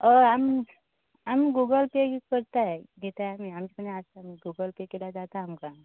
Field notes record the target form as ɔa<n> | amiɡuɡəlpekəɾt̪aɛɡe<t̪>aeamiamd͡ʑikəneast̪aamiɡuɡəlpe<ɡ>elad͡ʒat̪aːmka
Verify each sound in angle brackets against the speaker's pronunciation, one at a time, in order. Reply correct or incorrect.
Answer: incorrect: m, correct, incorrect: k

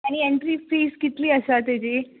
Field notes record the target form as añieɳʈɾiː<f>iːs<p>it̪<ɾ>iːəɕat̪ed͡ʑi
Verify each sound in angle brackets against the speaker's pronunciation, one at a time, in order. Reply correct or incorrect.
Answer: correct, incorrect: k, incorrect: l

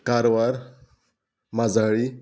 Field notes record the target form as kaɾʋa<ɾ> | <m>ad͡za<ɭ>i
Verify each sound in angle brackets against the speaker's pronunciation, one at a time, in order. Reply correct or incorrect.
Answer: correct, correct, correct

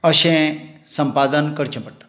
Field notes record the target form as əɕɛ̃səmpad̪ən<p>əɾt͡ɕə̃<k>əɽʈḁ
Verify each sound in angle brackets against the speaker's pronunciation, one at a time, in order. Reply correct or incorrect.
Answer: incorrect: k, incorrect: p

